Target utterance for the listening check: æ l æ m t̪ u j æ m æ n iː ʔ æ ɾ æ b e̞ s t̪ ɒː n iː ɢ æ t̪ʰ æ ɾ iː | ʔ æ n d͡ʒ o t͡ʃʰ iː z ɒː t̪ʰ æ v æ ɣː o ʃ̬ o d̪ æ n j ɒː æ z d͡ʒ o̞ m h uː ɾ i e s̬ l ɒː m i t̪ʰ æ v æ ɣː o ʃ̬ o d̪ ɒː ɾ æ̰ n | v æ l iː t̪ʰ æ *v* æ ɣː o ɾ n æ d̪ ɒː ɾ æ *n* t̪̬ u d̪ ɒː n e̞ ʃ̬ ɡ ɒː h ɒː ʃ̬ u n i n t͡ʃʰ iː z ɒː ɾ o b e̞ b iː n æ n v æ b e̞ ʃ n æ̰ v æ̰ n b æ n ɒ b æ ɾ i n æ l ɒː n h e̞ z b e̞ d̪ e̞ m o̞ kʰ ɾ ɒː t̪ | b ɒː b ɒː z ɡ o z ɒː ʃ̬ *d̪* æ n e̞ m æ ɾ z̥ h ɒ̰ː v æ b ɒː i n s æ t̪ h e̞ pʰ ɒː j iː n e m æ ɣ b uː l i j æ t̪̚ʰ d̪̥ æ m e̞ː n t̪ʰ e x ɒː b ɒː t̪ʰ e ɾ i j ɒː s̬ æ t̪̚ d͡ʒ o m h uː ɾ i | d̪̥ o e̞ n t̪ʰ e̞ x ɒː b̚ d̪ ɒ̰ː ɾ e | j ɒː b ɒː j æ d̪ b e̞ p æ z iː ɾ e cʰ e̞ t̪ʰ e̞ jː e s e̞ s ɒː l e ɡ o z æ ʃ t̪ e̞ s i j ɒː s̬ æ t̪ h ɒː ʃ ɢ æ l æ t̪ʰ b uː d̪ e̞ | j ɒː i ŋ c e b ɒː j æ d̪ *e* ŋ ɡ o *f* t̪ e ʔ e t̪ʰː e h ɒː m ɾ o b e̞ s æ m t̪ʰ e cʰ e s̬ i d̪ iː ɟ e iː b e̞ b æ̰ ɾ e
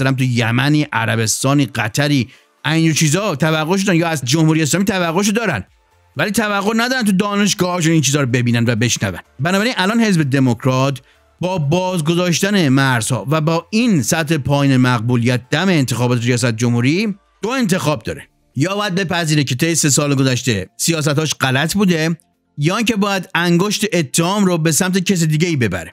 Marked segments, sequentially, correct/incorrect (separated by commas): correct, correct, incorrect, incorrect, incorrect